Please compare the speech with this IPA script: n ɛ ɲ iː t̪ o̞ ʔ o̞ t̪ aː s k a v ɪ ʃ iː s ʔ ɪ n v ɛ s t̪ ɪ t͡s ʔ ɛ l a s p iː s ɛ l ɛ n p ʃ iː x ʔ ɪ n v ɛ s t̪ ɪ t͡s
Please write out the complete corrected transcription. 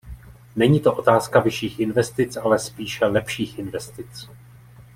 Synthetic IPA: n ɛ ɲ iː t̪ o̞ ʔ o̞ t̪ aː s k a v ɪ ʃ iː x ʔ ɪ n v ɛ s t̪ ɪ t͡s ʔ a l ɛ s p iː ʃ ɛ l ɛ p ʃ iː x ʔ ɪ n v ɛ s t̪ ɪ t͡s